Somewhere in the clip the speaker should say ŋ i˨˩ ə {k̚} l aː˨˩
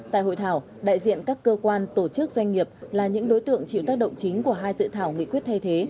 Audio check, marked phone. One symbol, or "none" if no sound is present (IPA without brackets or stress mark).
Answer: p̚